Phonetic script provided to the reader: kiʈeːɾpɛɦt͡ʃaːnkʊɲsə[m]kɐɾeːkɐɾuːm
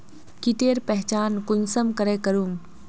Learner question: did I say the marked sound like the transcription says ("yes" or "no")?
yes